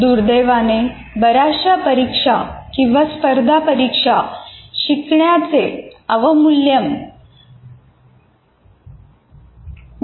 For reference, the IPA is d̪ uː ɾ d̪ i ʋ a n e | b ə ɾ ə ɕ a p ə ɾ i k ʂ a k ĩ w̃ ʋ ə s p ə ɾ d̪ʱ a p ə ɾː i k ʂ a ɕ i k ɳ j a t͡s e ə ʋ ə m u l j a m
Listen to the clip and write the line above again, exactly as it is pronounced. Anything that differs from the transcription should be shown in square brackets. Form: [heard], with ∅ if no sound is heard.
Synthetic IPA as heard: d̪ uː ɾ d̪ [e] ʋ a n e | b ə ɾ [a] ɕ a p ə ɾ i k ʂ a k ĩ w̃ ʋ [a] s p ə ɾ d̪ʱ a p ə [ɾ] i k ʂ a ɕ i k ɳ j a t͡s e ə ʋ ə m u l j [ə] m